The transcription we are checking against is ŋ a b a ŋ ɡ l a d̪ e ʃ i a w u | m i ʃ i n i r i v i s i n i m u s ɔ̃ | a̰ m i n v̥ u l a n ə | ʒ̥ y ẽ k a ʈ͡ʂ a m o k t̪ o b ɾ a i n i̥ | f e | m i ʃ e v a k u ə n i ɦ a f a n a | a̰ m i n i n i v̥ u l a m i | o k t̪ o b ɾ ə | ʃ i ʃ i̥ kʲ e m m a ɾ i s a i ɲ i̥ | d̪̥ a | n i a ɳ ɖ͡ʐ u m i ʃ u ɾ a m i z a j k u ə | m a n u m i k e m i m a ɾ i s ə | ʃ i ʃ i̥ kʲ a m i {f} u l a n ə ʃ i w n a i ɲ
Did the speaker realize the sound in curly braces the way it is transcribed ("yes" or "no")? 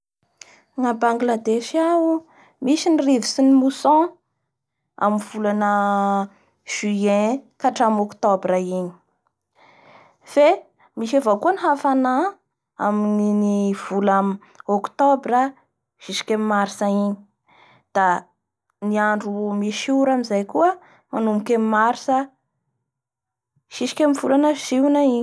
no